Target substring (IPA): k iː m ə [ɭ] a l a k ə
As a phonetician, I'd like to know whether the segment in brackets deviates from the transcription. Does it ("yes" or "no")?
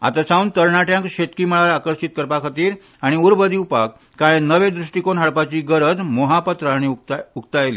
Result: no